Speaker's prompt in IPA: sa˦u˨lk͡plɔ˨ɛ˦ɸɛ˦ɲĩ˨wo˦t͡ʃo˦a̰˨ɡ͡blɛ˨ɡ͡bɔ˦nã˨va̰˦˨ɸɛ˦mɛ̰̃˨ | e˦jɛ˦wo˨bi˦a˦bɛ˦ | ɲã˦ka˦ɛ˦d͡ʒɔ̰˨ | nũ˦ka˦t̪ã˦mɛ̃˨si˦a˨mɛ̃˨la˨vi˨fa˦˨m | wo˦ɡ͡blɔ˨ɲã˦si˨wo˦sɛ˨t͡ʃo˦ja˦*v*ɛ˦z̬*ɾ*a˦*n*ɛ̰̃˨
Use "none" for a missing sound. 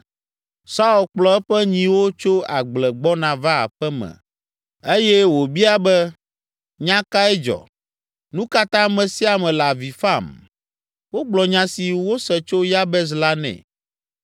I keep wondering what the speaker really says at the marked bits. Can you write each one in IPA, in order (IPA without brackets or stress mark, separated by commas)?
b, l, n